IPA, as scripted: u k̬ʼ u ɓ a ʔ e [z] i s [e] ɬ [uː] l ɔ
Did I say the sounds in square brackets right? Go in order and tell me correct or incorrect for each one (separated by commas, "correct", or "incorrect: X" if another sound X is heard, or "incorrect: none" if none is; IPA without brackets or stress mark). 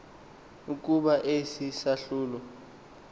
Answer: incorrect: s, incorrect: a, correct